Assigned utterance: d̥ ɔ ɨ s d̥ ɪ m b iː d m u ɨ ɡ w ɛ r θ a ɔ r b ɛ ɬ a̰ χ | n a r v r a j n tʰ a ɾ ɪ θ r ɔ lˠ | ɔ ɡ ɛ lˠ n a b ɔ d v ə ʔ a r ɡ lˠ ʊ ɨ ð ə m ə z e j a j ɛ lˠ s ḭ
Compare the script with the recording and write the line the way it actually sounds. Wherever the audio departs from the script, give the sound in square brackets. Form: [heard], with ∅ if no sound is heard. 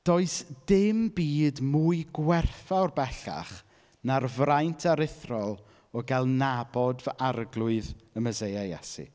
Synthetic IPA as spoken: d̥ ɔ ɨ s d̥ ɪ m b iː d m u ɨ ɡ w ɛ r θ a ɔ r b ɛ ɬ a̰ χ | n a r v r a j n tʰ a ɾ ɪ θ r ɔ lˠ | ɔ ɡ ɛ lˠ n a b ɔ d v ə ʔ a r ɡ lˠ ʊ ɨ ð ə m ə z e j a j ɛ [∅] s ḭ